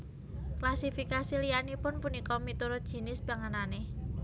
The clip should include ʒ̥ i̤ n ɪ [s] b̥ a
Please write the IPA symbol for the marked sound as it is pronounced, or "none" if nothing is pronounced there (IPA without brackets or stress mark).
s